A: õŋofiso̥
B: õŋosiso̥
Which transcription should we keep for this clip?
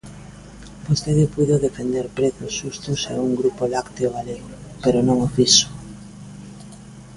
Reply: A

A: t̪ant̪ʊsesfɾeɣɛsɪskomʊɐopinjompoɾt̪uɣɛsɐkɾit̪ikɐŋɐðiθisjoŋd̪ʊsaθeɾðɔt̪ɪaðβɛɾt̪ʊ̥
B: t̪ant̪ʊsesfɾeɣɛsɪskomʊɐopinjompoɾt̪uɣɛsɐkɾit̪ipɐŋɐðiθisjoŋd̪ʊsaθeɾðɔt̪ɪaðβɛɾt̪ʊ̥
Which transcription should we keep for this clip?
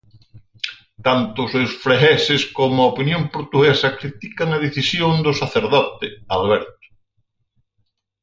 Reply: A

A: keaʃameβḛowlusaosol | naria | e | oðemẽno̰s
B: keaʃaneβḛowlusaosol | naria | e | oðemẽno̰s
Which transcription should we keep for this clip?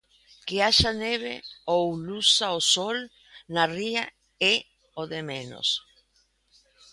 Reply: B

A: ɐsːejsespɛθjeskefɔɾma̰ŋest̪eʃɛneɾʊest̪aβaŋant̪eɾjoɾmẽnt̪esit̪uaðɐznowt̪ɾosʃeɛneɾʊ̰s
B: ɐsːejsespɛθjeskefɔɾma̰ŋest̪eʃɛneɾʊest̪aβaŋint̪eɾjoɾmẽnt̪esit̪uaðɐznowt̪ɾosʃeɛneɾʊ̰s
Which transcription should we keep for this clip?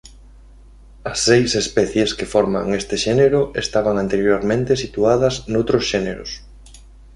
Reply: A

